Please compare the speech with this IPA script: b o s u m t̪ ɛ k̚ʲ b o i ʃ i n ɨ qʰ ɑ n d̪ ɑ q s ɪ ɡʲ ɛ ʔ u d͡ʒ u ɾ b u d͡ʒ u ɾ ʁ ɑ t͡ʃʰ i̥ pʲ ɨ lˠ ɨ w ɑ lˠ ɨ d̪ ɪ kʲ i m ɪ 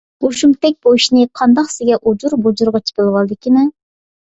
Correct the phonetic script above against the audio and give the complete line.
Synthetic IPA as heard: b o ʃ u m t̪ ɛ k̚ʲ b o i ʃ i n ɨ qʰ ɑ n d̪ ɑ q s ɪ ɡʲ ɛ ʔ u d͡ʒ u ɾ b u d͡ʒ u ɾ ʁ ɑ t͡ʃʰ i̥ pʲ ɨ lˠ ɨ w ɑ lˠ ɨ d̪ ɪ kʲ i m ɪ